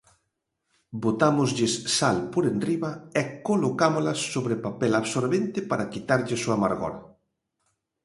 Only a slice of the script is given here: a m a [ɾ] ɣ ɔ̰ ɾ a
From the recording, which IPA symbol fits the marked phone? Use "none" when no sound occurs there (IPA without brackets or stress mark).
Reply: ɾ